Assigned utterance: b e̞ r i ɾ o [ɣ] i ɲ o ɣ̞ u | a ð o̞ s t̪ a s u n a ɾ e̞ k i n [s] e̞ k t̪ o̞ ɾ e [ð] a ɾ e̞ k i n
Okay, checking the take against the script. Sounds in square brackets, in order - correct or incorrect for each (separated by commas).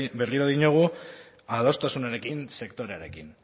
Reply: incorrect, correct, incorrect